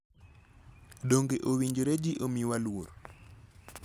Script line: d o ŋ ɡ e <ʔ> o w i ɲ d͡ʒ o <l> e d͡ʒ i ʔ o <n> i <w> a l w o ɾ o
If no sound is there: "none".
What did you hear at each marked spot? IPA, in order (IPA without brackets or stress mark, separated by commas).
ʔ, ɾ, m, w